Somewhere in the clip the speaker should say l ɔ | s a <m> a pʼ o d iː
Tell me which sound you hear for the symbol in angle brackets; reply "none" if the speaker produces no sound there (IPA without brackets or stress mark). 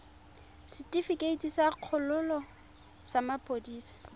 m